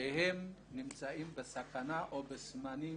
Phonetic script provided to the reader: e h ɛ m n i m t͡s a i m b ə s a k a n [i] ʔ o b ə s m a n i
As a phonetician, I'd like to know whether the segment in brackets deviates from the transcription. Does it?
yes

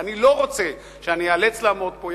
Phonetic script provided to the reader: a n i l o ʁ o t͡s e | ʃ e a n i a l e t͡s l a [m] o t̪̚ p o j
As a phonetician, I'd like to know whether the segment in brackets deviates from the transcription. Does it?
no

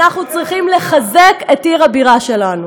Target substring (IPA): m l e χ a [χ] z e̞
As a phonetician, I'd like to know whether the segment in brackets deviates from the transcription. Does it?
yes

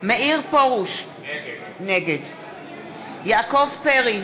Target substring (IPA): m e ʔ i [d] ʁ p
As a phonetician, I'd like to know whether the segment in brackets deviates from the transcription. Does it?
yes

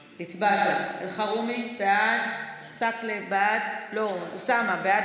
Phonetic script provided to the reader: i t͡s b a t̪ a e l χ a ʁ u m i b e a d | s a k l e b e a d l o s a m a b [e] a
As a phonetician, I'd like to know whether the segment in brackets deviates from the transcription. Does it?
no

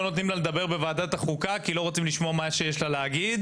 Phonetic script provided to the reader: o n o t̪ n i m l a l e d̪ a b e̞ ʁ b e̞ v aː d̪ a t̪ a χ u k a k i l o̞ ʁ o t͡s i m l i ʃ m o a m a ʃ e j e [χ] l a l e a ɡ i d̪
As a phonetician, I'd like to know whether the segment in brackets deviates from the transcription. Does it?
yes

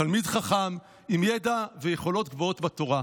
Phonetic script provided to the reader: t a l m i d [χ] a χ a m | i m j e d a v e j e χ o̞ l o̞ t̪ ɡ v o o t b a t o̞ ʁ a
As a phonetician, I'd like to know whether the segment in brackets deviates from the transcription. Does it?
no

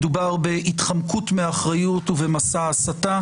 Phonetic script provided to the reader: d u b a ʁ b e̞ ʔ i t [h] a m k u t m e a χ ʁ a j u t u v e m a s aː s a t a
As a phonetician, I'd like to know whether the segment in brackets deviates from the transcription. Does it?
yes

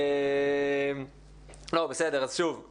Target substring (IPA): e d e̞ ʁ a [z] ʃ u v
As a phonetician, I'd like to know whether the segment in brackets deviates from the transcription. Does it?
no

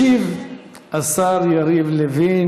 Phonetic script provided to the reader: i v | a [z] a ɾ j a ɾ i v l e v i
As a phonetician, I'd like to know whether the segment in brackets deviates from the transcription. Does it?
yes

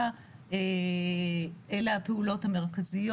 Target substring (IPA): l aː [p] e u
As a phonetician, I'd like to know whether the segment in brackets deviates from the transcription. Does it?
no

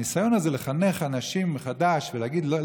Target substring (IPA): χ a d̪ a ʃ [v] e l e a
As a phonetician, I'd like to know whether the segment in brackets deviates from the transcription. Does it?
no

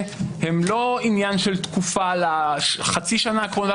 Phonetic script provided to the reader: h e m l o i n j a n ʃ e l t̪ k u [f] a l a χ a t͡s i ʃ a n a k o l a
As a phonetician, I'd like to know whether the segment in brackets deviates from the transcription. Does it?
no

